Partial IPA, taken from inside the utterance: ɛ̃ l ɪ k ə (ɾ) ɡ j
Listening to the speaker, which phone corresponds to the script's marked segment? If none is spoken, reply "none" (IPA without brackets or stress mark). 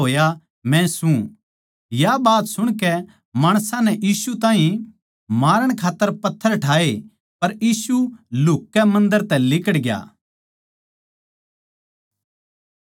ɽ